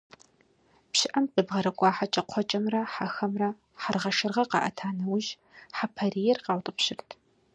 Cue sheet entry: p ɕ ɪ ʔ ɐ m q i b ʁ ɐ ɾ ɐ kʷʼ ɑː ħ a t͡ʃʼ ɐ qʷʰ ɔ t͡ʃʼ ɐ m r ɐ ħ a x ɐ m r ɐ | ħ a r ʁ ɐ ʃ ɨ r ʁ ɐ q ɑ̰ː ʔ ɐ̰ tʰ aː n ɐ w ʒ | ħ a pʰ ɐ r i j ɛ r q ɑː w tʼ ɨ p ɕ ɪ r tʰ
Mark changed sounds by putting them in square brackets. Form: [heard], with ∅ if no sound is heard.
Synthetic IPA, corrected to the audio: p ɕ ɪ ʔ ɐ m q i b ʁ ɐ ɾ ɐ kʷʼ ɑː ħ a t͡ʃʼ ɐ qʷʰ ɔ t͡ʃʼ ɐ m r ɐ ħ a x ɐ m r ɐ | ħ a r ʁ ɐ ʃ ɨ r ʁ ɐ q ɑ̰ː ʔ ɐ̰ tʰ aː n ɐ w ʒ | ħ a pʰ ɐ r i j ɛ r q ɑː w tʼ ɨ p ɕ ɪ r tʰ

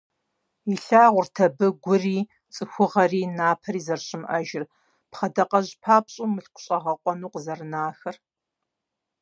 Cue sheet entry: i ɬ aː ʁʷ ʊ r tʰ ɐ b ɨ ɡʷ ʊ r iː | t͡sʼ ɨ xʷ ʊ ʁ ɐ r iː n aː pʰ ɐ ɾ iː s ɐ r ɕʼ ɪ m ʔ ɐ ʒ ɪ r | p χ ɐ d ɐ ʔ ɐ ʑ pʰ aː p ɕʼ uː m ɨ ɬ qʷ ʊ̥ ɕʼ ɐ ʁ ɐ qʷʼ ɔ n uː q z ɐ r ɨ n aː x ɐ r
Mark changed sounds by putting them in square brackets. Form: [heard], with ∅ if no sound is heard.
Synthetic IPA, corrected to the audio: i ɬ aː ʁʷ ʊ r tʰ ɐ b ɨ ɡʷ ʊ r iː | t͡sʼ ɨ xʷ ʊ ʁ ɐ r iː n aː pʰ ɐ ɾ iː [z] ɐ r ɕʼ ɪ m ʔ ɐ ʒ ɪ r | p χ ɐ d ɐ [q] ɐ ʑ pʰ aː p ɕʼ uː m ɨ ɬ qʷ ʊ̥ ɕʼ ɐ ʁ ɐ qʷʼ ɔ n uː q z ɐ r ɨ n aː x ɐ r

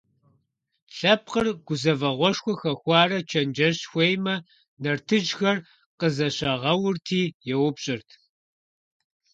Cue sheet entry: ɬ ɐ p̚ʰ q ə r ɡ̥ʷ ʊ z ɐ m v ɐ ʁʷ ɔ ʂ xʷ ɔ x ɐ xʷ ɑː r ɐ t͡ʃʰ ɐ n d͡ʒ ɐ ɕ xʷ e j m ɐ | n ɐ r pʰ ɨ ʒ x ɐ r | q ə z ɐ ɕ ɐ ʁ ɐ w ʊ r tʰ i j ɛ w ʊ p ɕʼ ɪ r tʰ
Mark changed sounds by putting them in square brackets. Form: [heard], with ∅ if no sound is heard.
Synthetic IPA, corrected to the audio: ɬ ɐ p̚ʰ q ə r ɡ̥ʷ ʊ z ɐ [∅] v ɐ ʁʷ ɔ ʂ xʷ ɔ x ɐ xʷ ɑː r ɐ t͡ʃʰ ɐ n d͡ʒ ɐ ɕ xʷ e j m ɐ | n ɐ r [tʰ] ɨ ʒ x ɐ r | q ə z ɐ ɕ ɐ ʁ ɐ w ʊ r tʰ [iː] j ɛ w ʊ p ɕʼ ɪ r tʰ

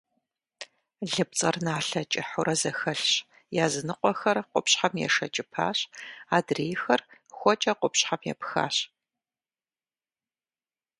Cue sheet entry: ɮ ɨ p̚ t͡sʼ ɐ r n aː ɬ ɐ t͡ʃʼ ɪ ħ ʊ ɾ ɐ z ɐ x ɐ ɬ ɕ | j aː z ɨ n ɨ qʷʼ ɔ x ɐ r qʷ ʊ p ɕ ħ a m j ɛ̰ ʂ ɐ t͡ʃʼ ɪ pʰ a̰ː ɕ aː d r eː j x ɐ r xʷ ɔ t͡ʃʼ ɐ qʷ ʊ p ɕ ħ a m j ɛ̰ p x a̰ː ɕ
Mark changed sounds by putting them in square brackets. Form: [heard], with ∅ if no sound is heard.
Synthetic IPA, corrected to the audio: ɮ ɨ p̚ t͡sʼ ɐ r n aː ɬ ɐ t͡ʃʼ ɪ ħ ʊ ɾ ɐ z ɐ x ɐ ɬ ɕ | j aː z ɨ n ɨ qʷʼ ɔ x ɐ r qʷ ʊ p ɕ ħ a m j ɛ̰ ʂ ɐ t͡ʃʼ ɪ pʰ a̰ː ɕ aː d r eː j x ɐ r xʷ ɔ t͡ʃʼ ɐ qʷ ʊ p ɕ ħ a m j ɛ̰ p x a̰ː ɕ

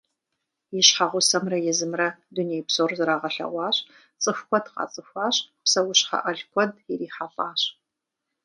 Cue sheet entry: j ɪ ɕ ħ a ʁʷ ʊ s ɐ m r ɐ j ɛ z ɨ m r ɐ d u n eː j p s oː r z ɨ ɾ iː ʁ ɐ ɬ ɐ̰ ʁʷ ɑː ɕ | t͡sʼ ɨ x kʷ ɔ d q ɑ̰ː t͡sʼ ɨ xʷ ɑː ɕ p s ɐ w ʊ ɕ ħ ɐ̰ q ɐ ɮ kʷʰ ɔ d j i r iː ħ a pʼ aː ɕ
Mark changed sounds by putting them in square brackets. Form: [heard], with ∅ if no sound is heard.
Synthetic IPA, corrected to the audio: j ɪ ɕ ħ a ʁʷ ʊ s ɐ m r ɐ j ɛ z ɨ m r ɐ d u n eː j p s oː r z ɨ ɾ [aː] ʁ ɐ ɬ ɐ̰ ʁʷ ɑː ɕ | t͡sʼ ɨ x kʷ ɔ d q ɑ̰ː t͡sʼ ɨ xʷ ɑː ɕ p s ɐ w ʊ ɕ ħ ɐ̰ [ʔ] ɐ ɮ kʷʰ ɔ d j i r iː ħ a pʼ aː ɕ

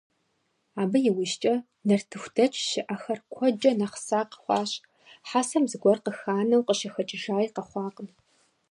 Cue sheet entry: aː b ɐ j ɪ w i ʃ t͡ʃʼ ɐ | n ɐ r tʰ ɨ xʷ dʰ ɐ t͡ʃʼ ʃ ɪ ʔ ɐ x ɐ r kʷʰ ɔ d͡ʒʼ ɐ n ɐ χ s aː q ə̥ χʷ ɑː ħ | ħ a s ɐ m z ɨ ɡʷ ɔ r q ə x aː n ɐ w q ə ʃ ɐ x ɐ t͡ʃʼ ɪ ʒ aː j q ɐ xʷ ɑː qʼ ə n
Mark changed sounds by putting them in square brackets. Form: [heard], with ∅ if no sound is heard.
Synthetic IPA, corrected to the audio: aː b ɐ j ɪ w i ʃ t͡ʃʼ ɐ | n ɐ r tʰ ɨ xʷ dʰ ɐ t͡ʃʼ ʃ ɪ ʔ ɐ x ɐ r kʷʰ ɔ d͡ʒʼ ɐ n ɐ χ s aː q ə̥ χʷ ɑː [ɕ] | ħ a s ɐ m z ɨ ɡʷ ɔ r q ə x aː n ɐ w q ə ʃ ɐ x ɐ t͡ʃʼ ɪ ʒ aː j q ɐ [χʷ] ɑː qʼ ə n

